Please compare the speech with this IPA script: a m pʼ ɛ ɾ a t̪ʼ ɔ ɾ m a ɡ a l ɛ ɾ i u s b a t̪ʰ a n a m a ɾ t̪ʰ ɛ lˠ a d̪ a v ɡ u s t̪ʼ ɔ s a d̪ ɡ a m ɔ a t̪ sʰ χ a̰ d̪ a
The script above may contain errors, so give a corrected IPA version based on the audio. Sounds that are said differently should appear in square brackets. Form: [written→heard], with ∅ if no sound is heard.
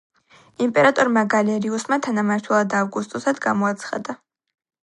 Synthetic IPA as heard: [a→i] m pʼ ɛ ɾ a t̪ʼ ɔ ɾ m a ɡ a l ɛ ɾ i u s [b→m] a t̪ʰ a n a m a ɾ t̪ʰ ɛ lˠ a d̪ a v ɡ u s t̪ʼ ɔ s a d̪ ɡ a m ɔ a t̪ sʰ χ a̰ d̪ a